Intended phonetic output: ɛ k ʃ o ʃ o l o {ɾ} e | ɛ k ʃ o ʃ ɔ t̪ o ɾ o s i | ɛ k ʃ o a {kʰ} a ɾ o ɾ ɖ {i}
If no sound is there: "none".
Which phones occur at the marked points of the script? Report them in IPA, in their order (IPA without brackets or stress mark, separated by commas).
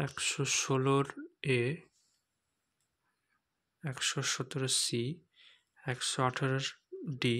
ɾ, ʈʰ, i